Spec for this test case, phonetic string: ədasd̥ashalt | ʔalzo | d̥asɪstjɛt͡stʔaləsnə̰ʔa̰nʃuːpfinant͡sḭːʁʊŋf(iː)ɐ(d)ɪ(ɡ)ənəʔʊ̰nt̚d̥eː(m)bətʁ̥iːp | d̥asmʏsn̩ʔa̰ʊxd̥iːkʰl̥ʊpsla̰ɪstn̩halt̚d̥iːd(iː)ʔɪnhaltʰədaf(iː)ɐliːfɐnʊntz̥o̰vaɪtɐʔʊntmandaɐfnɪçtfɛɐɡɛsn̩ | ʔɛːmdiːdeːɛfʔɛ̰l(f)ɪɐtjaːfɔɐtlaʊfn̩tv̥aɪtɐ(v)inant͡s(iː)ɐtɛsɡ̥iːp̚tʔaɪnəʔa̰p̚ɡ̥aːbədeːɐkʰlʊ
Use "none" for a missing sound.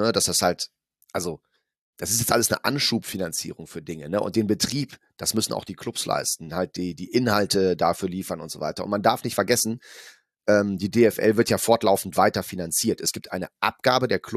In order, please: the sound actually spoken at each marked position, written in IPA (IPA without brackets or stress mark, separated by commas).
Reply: yː, d, ŋ, n, iː, yː, v, f, iː